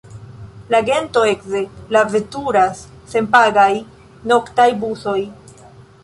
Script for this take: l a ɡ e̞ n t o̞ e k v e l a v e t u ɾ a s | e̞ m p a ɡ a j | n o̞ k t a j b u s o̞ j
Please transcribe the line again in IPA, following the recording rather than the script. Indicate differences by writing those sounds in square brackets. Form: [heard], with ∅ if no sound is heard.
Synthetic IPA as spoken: l a ɡ e̞ n t o̞ e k [z] e l a v e t u ɾ a [sː] | e̞ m p a ɡ a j | n o̞ k t a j b u s o̞ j